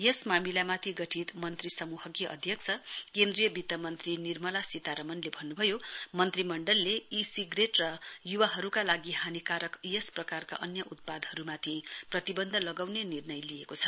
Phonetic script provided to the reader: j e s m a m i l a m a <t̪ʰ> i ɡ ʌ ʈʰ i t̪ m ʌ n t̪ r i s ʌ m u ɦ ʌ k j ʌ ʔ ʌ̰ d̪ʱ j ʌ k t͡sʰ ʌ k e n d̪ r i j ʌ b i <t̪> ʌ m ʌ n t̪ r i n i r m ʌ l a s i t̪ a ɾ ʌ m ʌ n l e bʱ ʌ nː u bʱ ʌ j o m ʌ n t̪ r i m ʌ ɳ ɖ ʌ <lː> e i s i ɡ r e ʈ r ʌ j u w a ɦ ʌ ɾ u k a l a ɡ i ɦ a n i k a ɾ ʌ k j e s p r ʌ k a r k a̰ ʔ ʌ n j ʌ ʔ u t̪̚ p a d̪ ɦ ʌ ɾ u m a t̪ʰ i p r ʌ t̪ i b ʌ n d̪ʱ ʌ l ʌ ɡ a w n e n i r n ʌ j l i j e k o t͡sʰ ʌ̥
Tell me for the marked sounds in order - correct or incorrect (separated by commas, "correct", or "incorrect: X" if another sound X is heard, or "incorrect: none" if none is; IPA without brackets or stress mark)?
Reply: correct, correct, correct